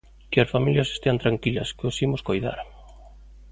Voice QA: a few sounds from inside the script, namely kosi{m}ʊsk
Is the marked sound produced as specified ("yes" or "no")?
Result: yes